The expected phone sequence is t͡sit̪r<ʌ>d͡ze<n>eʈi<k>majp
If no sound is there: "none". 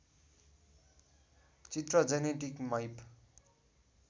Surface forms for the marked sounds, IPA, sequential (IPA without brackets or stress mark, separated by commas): ʌ, n, k